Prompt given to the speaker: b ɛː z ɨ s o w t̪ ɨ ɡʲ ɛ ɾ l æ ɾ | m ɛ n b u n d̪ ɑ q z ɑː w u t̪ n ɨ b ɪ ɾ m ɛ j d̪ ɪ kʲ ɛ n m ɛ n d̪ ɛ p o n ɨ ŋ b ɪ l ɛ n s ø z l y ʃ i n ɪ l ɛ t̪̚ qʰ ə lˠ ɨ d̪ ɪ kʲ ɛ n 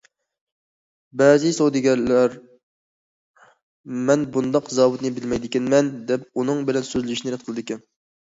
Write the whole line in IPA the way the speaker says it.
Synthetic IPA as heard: b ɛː z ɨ s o w d̪ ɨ ɡʲ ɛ ɾ l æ ɾ | m ɛ n b u n d̪ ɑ q z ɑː w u t̪ n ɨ b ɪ l m ɛ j d̪ ɪ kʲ ɛ n m ɛ n d̪ ɛ p u n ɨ ŋ b ɪ l ɛ n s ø z l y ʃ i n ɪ ɾ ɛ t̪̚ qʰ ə lˠ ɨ d̪ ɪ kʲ ɛ n